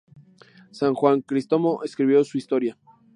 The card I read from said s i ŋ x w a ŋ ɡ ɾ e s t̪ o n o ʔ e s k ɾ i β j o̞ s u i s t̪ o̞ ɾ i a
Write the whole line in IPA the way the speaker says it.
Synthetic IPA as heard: s a ŋ x w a ŋ k ɾ i s t̪ o m o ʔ e s k ɾ i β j o̞ s u i s t̪ o̞ ɾ j a